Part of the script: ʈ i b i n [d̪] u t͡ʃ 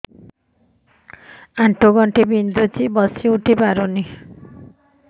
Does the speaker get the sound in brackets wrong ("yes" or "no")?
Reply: no